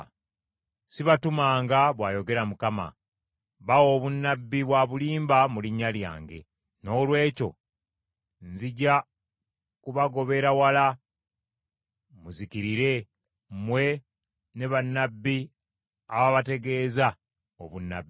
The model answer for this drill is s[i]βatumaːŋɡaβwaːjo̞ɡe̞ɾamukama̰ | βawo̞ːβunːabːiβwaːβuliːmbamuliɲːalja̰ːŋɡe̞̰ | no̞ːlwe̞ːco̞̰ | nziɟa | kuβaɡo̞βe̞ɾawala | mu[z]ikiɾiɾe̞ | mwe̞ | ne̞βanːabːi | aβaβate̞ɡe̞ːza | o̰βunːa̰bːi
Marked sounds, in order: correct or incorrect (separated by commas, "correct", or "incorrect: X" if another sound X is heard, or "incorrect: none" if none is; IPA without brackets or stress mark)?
correct, correct